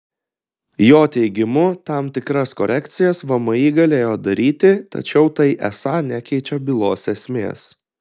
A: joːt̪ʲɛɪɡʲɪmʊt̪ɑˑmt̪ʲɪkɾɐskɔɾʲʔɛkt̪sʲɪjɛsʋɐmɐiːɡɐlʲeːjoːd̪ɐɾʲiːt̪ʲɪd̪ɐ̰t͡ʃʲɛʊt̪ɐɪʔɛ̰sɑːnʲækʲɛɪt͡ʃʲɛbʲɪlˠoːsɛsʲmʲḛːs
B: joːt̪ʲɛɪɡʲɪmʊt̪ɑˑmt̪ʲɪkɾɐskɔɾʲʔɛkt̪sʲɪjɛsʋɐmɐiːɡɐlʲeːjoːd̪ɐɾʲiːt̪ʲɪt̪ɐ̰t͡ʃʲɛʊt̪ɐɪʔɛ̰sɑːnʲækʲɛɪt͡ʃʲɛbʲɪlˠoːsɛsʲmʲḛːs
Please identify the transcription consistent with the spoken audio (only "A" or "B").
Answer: B